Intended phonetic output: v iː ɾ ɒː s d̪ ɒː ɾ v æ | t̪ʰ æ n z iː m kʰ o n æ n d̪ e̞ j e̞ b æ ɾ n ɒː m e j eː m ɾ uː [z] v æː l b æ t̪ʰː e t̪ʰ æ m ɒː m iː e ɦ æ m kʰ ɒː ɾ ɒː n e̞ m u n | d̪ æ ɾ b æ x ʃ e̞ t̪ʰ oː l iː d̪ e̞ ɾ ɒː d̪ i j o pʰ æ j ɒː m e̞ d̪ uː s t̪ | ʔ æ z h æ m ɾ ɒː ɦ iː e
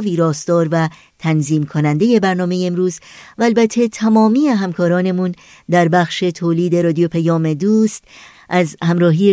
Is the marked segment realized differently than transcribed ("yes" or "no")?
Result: no